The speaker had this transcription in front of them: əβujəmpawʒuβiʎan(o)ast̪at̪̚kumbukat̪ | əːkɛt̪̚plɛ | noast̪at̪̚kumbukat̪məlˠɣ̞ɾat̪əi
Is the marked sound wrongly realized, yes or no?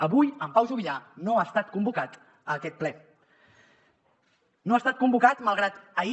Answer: no